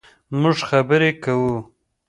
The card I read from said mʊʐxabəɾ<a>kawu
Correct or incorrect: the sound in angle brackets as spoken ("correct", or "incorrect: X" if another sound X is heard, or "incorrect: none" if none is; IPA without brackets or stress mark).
incorrect: e